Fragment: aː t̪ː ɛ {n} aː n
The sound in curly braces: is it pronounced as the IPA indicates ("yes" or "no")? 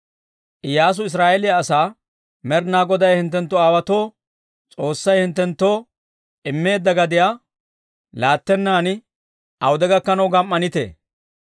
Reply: no